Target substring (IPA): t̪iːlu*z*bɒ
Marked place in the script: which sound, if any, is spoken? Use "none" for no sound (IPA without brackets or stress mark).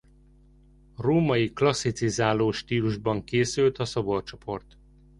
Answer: ʒ